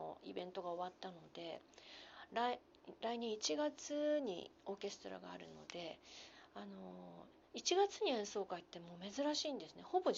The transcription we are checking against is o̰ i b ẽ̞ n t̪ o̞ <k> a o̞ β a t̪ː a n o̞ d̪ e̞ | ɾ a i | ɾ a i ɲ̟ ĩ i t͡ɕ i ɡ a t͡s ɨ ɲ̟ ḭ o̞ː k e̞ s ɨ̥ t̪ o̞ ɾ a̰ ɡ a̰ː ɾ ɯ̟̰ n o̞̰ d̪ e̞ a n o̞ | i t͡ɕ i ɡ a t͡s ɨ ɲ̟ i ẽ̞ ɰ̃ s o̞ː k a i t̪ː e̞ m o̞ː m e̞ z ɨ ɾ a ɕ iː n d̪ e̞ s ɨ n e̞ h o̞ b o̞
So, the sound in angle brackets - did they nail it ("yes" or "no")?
no